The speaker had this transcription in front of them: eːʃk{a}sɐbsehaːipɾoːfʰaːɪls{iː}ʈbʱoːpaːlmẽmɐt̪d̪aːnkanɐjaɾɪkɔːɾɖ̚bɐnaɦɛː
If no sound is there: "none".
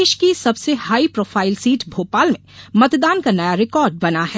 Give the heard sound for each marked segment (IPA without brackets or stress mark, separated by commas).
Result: i, iː